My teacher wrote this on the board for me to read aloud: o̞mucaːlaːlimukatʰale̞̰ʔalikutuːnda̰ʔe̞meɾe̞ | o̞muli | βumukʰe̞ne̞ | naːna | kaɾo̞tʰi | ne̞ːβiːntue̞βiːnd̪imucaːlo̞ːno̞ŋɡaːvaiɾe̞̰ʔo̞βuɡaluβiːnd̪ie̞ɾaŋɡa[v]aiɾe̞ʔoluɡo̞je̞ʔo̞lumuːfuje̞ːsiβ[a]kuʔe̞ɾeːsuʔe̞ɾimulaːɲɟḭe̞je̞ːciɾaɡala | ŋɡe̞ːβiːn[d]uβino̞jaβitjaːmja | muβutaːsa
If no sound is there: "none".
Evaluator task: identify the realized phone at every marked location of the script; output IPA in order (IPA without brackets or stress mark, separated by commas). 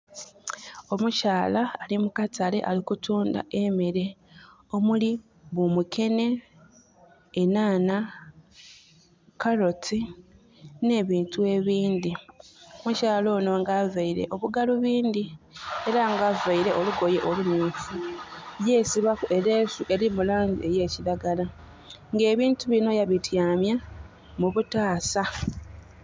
v, a, t